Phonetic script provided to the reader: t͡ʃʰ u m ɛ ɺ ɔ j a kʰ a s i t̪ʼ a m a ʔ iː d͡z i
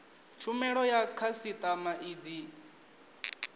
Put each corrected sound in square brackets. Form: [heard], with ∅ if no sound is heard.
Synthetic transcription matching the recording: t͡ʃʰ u m ɛ ɺ ɔ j a kʰ a s i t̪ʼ a m a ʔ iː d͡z i